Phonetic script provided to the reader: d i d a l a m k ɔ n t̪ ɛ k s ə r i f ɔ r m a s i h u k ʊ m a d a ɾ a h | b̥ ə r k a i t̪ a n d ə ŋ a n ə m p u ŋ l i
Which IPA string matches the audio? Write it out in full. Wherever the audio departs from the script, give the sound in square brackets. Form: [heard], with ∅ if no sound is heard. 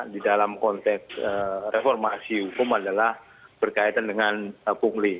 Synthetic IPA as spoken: d i d a l a m k ɔ n t̪ ɛ k s ə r [e] f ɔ r m a s i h u k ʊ m a d a [l] a h | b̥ ə r k a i t̪ a n d ə ŋ a n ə [∅] p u ŋ l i

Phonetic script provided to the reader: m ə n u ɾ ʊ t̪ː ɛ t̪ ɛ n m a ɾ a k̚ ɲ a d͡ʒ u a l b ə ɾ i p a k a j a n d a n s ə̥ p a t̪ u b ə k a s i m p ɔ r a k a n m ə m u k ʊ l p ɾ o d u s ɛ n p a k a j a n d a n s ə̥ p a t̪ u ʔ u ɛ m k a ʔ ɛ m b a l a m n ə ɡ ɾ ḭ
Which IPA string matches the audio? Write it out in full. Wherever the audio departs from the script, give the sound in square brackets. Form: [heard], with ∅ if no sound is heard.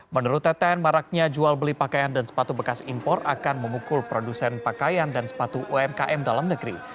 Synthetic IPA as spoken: m ə n u ɾ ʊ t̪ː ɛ t̪ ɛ n m a ɾ a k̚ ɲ a d͡ʒ u a l b ə [l] i p a k a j a n d a n s ə̥ p a t̪ u b ə k a s i m p ɔ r a k a n m ə m u k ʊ l p ɾ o d u s ɛ n p a k a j a n d a n s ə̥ p a t̪ u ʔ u ɛ m k a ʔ ɛ m [d] a l a m n ə ɡ ɾ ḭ

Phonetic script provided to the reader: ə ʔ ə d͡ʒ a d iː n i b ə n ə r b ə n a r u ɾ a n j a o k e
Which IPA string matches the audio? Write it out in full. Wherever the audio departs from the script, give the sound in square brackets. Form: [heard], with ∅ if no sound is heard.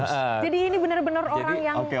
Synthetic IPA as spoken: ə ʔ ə d͡ʒ a d iː n i b ə n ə r b ə n [ə] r [o] ɾ a [ŋ] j a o k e

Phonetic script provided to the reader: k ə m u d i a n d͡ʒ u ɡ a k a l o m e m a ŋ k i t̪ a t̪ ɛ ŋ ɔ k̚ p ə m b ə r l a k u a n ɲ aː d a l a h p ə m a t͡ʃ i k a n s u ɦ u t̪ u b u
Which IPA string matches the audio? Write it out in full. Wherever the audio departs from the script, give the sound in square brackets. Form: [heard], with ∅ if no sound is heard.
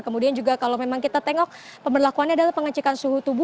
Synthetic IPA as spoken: k ə m u d i a n d͡ʒ u ɡ a k a l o m e m a ŋ k i t̪ a t̪ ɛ ŋ ɔ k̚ p ə m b ə r l a k u a n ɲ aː d a l a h p ə [ŋ] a t͡ʃ i k a n s u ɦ u t̪ u b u

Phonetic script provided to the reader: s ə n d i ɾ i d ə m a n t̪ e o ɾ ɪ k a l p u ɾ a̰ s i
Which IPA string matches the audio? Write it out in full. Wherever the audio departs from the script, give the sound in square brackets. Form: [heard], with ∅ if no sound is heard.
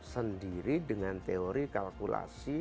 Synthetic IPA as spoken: s ə n d i ɾ i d ə [ŋ] a n t̪ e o ɾ [i] k a l [k] u [l] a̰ s i

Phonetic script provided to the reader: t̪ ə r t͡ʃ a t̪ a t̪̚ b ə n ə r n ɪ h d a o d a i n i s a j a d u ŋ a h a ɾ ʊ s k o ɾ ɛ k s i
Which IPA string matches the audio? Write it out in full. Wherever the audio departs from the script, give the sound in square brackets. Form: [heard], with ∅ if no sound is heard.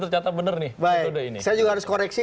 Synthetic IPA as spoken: t̪ ə r t͡ʃ a t̪ a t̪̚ b ə n ə r n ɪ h [b] a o d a i n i s a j a [d͡ʒ] u [ɡ] a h a ɾ ʊ s k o ɾ ɛ k s i

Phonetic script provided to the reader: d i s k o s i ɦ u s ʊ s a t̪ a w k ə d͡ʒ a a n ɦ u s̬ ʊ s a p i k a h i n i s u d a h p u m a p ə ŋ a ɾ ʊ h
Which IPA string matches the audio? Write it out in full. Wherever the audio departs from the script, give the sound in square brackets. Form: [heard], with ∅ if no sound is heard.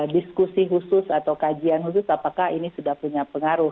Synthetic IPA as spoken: d i s k [u] s i ɦ u s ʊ s a t̪ a w k [a] d͡ʒ [i] a n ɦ u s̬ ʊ s a p [a] k a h i n i s u d a h p u [ɲ] a p ə ŋ a ɾ ʊ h

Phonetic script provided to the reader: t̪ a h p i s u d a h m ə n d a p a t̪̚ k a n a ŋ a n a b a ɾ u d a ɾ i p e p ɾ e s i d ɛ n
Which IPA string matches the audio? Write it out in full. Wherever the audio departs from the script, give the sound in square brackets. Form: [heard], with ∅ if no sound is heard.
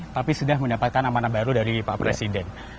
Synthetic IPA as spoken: t̪ a [∅] p i s u d a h m ə n d a p a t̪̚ k a n a [m] a n a b a ɾ u d a ɾ i p [a] p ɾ e s i d ɛ n

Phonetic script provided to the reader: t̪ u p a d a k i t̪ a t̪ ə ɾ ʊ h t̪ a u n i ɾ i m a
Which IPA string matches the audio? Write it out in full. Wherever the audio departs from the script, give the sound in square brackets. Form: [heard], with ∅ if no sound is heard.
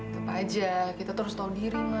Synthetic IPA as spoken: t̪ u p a [d͡ʒ] a k i t̪ a t̪ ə ɾ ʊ [s] t̪ a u [d] i ɾ i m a

